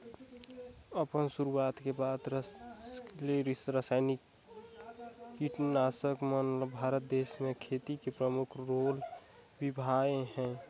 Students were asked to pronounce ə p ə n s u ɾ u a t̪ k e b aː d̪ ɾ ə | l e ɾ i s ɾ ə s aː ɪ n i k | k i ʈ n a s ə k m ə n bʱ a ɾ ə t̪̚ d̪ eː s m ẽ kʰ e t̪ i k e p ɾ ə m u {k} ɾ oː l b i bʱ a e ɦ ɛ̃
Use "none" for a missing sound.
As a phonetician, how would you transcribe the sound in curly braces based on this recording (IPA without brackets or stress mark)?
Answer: kʰ